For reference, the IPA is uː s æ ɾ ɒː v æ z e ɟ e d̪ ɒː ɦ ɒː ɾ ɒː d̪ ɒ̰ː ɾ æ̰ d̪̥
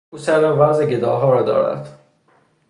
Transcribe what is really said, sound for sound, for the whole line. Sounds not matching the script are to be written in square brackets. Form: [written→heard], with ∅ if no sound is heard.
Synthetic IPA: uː s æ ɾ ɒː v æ z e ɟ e d̪ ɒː ɦ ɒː ɾ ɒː d̪ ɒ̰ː ɾ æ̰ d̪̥

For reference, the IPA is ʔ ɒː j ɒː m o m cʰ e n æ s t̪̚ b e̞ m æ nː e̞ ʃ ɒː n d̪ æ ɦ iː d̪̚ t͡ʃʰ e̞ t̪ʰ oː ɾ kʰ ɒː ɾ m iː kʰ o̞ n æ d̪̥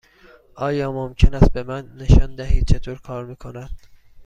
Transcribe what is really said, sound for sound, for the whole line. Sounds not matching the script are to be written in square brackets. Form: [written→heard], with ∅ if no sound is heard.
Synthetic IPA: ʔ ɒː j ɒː m o m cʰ e n æ s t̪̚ b e̞ m æ nː e̞ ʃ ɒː n d̪ æ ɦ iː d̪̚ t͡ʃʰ e̞ t̪ʰ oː ɾ kʰ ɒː ɾ m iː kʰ o̞ n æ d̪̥

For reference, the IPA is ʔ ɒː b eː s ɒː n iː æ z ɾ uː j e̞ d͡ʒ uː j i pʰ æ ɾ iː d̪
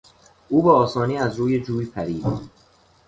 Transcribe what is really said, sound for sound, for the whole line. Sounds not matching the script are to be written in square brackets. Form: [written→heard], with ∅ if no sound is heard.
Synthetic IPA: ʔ [ɒː→uː] b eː s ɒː n iː æ z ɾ uː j e̞ d͡ʒ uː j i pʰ æ ɾ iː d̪

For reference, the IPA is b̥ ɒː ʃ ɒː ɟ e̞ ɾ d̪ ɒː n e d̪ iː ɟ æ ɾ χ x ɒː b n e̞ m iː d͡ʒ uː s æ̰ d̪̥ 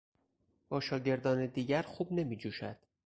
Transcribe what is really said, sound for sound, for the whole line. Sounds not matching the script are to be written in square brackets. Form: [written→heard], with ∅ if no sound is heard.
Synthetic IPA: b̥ ɒː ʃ ɒː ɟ e̞ ɾ d̪ ɒː n e d̪ iː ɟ æ ɾ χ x [ɒː→uː] b n e̞ m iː d͡ʒ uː [s→ʃ] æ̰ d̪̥

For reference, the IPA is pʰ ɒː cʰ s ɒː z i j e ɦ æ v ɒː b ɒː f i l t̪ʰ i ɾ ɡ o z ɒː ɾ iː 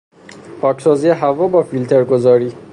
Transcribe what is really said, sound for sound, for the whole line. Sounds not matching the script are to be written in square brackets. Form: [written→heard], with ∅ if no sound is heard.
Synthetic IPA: pʰ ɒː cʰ s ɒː z i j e ɦ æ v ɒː b ɒː f i l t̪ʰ [i→e] ɾ ɡ o z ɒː ɾ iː

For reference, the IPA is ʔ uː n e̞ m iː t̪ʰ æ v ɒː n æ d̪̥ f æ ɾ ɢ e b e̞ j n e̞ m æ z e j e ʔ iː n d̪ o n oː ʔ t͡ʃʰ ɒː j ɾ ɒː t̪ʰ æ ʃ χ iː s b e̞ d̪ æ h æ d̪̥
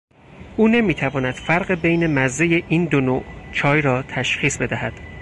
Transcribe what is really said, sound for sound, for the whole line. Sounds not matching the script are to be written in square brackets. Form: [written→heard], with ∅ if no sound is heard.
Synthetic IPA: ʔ uː n e̞ m iː t̪ʰ æ v ɒː n æ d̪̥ f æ ɾ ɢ e b e̞ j n e̞ m æ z e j e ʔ iː n d̪ o n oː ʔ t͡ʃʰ ɒː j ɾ ɒː t̪ʰ æ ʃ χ iː s b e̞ d̪ æ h æ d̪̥

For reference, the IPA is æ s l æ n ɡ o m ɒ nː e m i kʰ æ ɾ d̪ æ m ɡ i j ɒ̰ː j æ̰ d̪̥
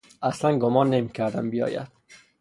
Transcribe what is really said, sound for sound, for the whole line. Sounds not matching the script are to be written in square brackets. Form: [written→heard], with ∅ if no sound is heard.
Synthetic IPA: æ s l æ n ɡ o m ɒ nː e m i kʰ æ ɾ d̪ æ m [ɡ→b] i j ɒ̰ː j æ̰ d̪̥

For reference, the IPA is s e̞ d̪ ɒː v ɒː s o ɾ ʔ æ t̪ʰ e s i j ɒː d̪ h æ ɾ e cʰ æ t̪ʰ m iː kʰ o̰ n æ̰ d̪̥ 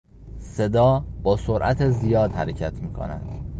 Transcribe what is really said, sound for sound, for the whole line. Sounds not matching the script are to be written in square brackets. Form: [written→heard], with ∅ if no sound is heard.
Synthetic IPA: s e̞ d̪ ɒː [v→b] ɒː s o ɾ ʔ æ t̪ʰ e [s→z] i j ɒː d̪ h æ ɾ e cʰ æ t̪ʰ m iː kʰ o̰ n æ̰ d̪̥

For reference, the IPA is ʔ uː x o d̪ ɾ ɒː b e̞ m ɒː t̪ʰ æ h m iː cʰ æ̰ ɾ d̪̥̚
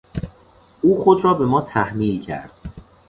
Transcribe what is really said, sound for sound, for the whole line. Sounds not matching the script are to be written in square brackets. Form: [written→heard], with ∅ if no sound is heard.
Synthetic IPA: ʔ uː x o d̪ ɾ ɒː b e̞ m ɒː t̪ʰ æ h m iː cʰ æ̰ ɾ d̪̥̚

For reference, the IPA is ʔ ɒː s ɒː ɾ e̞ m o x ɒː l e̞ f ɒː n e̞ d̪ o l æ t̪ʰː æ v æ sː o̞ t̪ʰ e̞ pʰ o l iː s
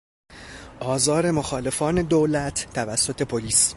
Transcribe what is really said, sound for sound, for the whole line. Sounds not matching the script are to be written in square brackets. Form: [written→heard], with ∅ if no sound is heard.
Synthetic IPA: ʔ ɒː [s→z] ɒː ɾ e̞ m o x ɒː l e̞ f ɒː n e̞ d̪ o l æ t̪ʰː æ v æ sː o̞ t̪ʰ e̞ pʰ o l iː s

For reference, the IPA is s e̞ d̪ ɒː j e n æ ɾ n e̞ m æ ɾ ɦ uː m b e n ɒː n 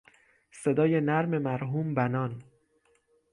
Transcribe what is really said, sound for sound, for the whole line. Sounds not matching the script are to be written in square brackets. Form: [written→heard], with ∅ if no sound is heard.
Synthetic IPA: s e̞ d̪ ɒː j e n æ ɾ [n→m] e̞ m æ ɾ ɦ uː m b [e→æ] n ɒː n

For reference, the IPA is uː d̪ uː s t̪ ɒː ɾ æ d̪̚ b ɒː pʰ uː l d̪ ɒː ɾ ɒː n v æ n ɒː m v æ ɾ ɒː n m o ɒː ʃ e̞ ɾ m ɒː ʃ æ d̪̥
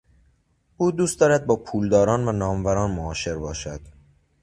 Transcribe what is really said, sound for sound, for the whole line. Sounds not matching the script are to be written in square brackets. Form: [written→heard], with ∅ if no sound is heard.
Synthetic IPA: uː d̪ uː s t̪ ɒː ɾ æ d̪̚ b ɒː pʰ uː l d̪ ɒː ɾ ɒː n v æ n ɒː m v æ ɾ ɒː n m o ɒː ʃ e̞ ɾ [m→b] ɒː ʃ æ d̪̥

